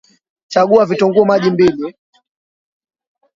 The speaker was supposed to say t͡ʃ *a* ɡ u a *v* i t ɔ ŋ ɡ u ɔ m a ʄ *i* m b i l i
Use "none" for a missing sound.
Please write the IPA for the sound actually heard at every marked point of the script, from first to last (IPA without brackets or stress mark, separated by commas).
a, v, i